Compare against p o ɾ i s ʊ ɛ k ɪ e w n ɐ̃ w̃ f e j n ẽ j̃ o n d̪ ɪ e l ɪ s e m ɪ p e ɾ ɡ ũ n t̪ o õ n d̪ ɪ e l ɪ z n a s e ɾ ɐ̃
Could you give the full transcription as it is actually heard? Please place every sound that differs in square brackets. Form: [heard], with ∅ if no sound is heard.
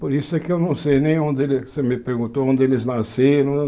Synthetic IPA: p o ɾ i s ʊ ɛ k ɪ e w n ɐ̃ w̃ [s] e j n ẽ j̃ [õ] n d̪ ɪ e l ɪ s e m ɪ p e ɾ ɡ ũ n t̪ o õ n d̪ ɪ e l ɪ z n a s e ɾ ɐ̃

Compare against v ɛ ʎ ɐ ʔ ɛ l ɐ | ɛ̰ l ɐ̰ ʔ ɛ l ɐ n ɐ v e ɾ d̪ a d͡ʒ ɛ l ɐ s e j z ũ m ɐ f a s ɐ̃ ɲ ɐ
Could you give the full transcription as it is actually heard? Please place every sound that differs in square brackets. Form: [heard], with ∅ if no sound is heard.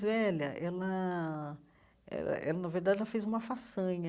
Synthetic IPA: v ɛ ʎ ɐ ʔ ɛ l ɐ | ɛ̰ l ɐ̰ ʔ ɛ l ɐ n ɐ v e ɾ d̪ a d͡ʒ ɛ l ɐ [f] e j z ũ m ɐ f a s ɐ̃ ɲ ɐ

